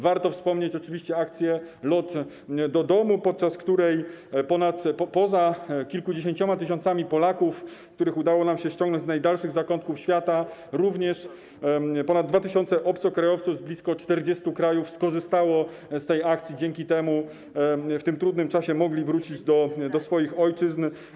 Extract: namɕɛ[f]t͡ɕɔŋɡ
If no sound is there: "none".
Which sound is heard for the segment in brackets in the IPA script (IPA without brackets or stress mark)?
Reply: ɕ